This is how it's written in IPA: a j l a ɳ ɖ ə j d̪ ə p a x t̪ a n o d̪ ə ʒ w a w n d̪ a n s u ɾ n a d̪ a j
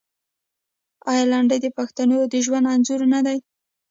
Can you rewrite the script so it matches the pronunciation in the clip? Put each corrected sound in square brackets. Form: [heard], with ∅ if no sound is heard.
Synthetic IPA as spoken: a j l a ɳ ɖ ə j d̪ ə p a x t̪ a n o d̪ ə ʒ w a [∅] n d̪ a n [z] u ɾ n a d̪ a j